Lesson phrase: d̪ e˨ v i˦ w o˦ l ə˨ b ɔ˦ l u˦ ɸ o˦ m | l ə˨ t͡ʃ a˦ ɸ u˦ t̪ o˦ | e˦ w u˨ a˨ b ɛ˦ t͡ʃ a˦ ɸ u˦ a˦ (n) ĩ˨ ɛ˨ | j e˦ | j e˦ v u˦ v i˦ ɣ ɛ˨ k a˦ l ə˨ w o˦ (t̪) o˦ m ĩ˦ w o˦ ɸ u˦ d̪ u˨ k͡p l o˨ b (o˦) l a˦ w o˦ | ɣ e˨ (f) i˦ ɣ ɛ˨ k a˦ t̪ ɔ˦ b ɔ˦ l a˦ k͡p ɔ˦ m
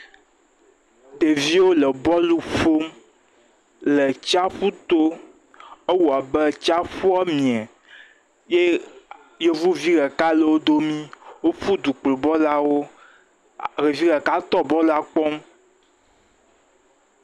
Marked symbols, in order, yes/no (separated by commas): no, no, no, no